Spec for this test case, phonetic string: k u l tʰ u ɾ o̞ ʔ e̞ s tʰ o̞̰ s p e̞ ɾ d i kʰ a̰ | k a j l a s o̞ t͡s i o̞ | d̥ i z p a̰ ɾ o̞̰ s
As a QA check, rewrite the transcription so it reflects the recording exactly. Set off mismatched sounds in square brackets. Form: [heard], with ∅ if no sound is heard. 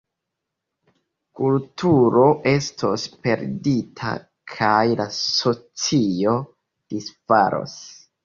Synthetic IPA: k u l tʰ u ɾ o̞ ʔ e̞ s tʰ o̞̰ s p e̞ ɾ d i [tʰ] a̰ | [kʰ] a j l a s o̞ t͡s i o̞ | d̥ i [s] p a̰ ɾ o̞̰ s

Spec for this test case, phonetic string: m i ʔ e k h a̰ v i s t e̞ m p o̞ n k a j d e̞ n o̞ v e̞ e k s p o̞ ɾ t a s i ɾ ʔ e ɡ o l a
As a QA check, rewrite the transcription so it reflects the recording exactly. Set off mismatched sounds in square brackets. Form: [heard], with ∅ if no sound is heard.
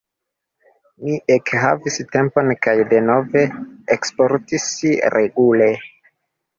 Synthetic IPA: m i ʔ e k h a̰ v i s t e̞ m p o̞ n k a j d e̞ n o̞ v e̞ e k s p o̞ ɾ t [i] s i ɾ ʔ e ɡ [u] l [e]

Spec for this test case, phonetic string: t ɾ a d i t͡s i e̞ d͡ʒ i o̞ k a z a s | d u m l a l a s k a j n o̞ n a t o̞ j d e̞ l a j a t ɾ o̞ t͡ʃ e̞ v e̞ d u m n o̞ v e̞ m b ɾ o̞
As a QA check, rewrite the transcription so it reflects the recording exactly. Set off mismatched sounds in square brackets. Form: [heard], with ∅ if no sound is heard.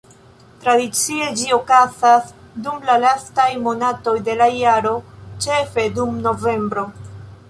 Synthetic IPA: t ɾ a d i t͡s i e̞ d͡ʒ i o̞ k a z a s | d u m l a l a s [t] a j [m] o̞ n a t o̞ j d e̞ l a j a [∅] ɾ o̞ t͡ʃ e̞ [f] e̞ d u m n o̞ v e̞ m b ɾ o̞

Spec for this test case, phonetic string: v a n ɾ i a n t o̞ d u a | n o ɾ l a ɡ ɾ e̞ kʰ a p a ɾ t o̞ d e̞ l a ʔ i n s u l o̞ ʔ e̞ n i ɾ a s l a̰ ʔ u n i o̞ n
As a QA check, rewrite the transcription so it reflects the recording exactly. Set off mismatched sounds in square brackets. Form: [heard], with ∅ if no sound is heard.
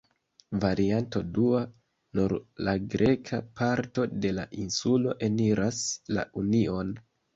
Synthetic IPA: v a [∅] ɾ i a n t o̞ d u a | n [u] ɾ l a ɡ ɾ e̞ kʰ a p a ɾ t o̞ d e̞ l a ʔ i n s u l o̞ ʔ e̞ n i ɾ a s l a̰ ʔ u n i o̞ n

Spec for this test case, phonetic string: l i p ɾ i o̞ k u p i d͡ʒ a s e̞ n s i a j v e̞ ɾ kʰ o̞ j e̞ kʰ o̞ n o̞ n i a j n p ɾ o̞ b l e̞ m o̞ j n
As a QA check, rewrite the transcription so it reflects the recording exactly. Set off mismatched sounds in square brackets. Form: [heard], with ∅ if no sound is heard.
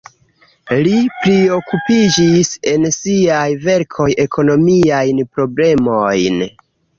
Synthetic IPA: l i p ɾ i o̞ k u p i d͡ʒ [i] s e̞ n s i a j v e̞ ɾ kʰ o̞ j e̞ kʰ o̞ n o̞ [m] i a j n p ɾ o̞ b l e̞ m o̞ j n

